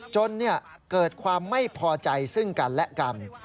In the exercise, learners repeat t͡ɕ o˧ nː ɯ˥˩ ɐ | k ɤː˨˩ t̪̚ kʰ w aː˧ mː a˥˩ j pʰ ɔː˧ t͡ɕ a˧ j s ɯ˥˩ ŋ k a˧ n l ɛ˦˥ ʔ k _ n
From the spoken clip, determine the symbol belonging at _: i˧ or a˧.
a˧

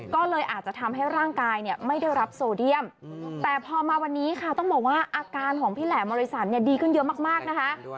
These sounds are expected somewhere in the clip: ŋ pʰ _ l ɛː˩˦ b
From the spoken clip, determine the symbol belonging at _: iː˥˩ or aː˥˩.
iː˥˩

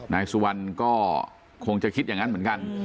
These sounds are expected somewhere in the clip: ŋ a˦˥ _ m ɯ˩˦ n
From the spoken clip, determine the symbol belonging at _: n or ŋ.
n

